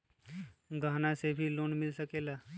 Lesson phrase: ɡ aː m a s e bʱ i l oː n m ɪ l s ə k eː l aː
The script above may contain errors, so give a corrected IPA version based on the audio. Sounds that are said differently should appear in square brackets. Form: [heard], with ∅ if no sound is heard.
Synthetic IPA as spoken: ɡ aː [n] a s e bʱ i l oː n m ɪ l s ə k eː l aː